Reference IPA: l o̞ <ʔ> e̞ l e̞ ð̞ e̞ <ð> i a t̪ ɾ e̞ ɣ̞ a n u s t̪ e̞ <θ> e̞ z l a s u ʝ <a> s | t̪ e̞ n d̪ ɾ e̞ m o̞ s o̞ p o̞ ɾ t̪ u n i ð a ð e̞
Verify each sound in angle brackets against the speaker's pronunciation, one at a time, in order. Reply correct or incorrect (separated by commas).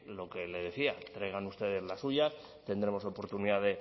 incorrect, incorrect, incorrect, correct